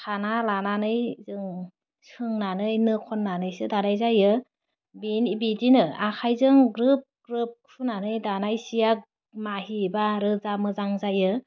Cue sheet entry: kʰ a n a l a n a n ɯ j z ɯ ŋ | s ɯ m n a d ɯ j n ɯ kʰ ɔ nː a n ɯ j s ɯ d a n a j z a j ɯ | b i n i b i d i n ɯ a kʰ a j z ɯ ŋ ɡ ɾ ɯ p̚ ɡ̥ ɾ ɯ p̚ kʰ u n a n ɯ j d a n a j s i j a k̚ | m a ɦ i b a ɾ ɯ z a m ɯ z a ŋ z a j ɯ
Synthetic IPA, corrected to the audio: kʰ a n a l a n a n ɯ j z ɯ ŋ | s ɯ ŋ n a n ɯ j n ɯ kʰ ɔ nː a n ɯ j s ɯ d a n a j z a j ɯ | b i n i b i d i n ɯ a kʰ a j z ɯ ŋ ɡ ɾ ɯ p̚ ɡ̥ ɾ ɯ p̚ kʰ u n a n ɯ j d a n a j s i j a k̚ | m a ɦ i b a ɾ ɯ z a m ɯ z a ŋ z a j ɯ

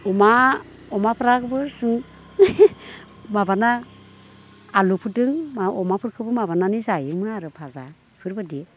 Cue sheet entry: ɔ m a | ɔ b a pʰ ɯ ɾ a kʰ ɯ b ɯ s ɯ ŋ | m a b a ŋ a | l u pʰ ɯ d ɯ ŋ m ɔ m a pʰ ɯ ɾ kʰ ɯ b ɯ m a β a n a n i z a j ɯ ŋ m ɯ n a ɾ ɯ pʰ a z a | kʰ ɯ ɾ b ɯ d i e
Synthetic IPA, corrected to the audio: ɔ m a | ɔ m a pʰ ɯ ɾ a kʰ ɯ b ɯ s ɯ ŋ | m a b a n a | l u pʰ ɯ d ɯ ŋ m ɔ m a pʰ ɯ ɾ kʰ ɯ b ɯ m a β a n a n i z a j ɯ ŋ m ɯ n a ɾ ɯ pʰ a z a | pʰ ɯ ɾ b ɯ d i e

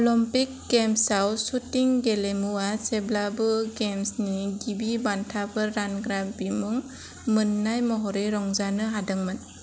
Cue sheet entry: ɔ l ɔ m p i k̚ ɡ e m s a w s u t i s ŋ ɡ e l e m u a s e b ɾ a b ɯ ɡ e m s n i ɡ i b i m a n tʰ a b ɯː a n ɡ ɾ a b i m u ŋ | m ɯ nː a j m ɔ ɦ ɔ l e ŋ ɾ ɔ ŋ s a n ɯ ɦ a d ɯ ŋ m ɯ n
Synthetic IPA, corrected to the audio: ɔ l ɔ m p i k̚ ɡ e m s a w s u t i ŋ ɡ e l e m u a s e b l a b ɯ ɡ e m s n i ɡ i b i b a n tʰ a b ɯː a n ɡ ɾ a b i m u ŋ | m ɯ nː a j m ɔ ɦ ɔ ɾ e ɾ ɔ ŋ z a n ɯ ɦ a d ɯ ŋ m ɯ n

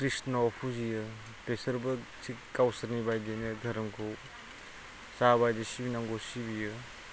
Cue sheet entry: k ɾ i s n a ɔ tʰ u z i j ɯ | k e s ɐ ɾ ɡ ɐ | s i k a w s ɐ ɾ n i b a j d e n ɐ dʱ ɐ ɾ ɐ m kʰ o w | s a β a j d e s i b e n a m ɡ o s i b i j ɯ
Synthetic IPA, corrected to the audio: k ɾ i s n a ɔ pʰ u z i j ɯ | p e s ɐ ɾ b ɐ | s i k a w s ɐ ɾ n i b a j d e n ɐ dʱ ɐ ɾ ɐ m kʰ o w | s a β a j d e s i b i n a ŋ ɡ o s i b i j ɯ

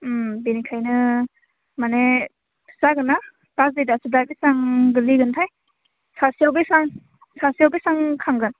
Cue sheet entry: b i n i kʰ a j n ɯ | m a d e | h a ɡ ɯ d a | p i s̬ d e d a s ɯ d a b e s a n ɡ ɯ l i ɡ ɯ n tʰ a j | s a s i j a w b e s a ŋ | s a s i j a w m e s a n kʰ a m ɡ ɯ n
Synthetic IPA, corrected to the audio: b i n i kʰ a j n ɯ | m a n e | s a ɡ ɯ n a | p a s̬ d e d a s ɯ d a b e s a ŋ ɡ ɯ l i ɡ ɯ n tʰ a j | s a s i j a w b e s a ŋ | s a s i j a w b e s a ŋ kʰ a ŋ ɡ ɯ n

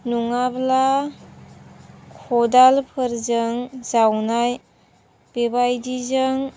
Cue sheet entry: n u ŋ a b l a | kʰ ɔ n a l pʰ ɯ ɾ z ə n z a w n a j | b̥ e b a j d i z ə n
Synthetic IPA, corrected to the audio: n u ŋ a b l a | kʰ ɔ d a l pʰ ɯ ɾ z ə ŋ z a w n a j | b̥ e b a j d i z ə ŋ

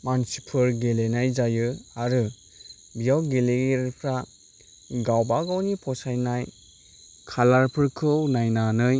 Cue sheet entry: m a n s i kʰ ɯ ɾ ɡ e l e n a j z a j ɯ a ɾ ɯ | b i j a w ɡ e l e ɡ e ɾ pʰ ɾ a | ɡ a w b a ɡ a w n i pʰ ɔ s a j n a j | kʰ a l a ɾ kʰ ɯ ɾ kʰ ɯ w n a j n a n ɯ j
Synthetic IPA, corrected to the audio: m a n s i pʰ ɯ ɾ ɡ e l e n a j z a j ɯ a ɾ ɯ | b i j a w ɡ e l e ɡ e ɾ pʰ ɾ a | ɡ a w b a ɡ a w n i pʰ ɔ s a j n a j | kʰ a l a ɾ pʰ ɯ ɾ kʰ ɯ w n a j n a n ɯ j

